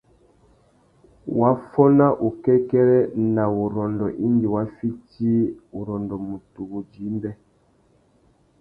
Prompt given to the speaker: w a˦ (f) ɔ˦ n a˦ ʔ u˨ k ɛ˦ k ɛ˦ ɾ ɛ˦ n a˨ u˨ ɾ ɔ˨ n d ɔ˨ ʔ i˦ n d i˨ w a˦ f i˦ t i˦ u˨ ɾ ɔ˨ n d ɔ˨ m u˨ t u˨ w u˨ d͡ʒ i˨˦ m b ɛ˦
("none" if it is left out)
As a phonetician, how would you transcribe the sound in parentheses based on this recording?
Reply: f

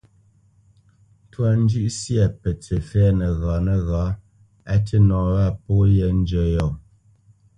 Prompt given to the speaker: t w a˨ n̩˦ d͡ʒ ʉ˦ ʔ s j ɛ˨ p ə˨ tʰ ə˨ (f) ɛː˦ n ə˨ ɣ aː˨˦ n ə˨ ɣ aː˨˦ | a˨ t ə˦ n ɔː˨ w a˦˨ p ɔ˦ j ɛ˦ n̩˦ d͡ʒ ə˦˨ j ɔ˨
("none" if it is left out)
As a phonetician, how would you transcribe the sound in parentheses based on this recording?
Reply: f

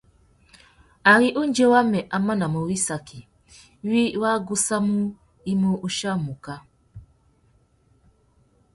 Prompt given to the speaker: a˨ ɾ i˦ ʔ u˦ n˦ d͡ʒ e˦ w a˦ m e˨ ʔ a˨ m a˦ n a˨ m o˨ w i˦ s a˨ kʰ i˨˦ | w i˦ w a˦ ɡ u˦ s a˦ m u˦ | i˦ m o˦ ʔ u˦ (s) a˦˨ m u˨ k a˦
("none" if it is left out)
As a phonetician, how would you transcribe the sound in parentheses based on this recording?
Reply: ʃ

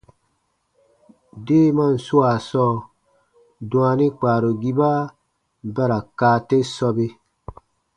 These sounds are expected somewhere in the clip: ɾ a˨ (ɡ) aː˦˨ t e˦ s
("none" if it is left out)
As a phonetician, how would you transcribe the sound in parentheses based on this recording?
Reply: k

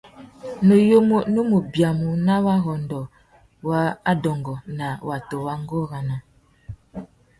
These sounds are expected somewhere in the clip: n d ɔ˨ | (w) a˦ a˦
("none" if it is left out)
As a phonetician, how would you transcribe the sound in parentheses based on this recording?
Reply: w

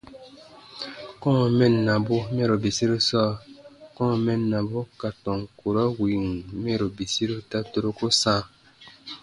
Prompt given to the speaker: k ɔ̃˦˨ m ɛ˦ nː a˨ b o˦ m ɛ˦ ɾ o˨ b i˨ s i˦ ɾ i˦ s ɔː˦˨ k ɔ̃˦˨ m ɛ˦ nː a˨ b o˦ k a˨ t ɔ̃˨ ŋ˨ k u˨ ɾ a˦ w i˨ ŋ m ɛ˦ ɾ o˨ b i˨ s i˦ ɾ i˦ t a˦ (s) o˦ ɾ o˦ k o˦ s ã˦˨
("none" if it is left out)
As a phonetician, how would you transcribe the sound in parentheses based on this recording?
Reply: t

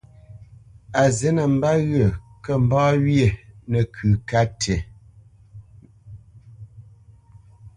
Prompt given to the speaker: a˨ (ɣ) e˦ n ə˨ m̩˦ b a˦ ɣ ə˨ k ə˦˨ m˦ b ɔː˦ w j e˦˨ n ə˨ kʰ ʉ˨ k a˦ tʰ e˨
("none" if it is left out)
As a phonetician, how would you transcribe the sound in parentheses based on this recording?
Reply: z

